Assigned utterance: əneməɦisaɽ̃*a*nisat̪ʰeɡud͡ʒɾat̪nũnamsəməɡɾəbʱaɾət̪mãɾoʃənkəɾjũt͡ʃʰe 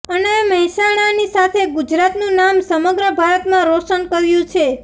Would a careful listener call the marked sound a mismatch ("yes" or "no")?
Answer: no